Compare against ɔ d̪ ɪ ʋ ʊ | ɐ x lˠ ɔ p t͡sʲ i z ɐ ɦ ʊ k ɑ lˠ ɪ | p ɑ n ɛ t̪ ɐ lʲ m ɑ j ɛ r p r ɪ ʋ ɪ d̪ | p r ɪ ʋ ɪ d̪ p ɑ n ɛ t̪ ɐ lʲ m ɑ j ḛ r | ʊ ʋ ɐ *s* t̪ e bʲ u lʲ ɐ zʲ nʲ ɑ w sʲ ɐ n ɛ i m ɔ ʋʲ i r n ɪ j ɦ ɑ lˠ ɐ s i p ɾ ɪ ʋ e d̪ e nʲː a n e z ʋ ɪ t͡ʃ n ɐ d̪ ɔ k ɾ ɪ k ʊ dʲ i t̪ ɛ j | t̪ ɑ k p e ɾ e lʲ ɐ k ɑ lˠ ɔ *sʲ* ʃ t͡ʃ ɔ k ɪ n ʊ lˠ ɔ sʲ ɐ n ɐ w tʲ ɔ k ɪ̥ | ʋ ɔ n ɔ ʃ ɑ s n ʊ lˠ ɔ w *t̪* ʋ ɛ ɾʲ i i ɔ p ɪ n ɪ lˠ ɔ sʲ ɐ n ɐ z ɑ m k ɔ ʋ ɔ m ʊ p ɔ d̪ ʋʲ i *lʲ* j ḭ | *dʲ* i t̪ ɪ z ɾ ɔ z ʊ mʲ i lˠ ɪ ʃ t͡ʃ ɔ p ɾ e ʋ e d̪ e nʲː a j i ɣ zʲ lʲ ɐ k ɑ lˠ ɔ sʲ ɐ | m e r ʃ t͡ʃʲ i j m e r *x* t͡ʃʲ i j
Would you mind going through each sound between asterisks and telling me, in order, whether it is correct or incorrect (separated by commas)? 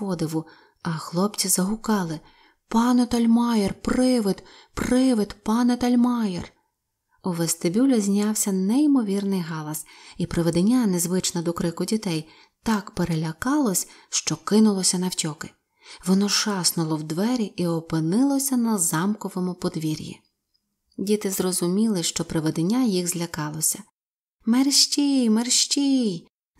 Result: correct, correct, incorrect, incorrect, correct, incorrect